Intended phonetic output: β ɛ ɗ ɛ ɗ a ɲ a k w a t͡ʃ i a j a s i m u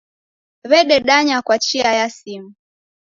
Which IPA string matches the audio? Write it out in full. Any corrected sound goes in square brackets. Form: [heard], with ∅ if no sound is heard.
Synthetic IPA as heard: β ɛ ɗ ɛ ɗ a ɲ a k w a t͡ʃ i a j a s i m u